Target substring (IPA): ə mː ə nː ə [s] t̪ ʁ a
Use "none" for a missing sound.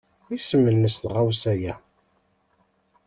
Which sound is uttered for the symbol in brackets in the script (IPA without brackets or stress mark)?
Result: s